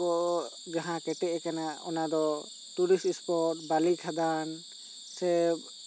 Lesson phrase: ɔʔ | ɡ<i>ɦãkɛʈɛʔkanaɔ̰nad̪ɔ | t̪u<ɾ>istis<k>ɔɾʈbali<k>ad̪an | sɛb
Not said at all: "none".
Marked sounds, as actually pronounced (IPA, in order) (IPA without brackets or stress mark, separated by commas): a, ɾ, p, kʰ